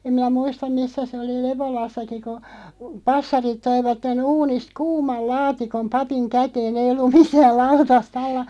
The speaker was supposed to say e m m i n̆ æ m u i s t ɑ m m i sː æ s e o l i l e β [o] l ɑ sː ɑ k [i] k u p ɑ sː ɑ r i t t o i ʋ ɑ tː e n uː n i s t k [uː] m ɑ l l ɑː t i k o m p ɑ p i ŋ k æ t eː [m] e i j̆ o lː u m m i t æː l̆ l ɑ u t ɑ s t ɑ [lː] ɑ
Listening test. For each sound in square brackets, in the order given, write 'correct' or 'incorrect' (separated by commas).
correct, correct, correct, incorrect, correct